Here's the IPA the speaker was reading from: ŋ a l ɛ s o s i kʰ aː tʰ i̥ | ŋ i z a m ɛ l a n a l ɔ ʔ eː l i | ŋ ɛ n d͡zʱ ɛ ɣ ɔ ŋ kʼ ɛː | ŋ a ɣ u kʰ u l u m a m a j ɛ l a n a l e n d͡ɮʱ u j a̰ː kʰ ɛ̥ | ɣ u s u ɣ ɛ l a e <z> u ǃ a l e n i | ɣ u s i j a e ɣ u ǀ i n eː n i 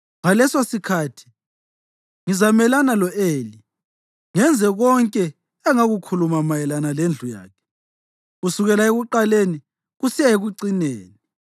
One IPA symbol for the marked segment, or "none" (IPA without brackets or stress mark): ɣ